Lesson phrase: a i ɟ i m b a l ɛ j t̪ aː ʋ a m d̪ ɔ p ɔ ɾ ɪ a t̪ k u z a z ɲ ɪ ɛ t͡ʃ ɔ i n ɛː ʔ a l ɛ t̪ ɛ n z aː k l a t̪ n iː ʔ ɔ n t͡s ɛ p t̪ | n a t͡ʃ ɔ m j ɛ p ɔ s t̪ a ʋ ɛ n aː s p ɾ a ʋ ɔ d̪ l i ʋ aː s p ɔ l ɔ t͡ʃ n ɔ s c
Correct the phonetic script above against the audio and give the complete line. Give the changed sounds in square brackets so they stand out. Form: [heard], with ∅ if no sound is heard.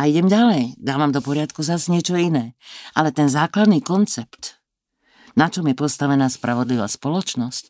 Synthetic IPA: a i ɟ [ɛ] m [ɟ] a l ɛ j [d̪] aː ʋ a m d̪ ɔ p ɔ ɾ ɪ a t̪ k u z a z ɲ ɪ ɛ t͡ʃ ɔ i n ɛː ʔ a l ɛ t̪ ɛ n z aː k l a [d̪] n iː [k] ɔ n t͡s ɛ p t̪ | n a t͡ʃ ɔ m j ɛ p ɔ s t̪ a ʋ ɛ n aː s p ɾ a ʋ ɔ d̪ l i ʋ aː s p ɔ l ɔ t͡ʃ n ɔ s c